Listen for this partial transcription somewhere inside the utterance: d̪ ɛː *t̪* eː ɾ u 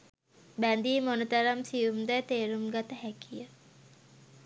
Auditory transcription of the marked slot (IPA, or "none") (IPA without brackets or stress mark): t̪